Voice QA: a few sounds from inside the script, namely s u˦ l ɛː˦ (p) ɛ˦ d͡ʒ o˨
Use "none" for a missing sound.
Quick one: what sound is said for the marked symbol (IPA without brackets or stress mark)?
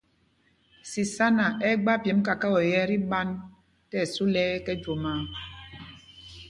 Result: k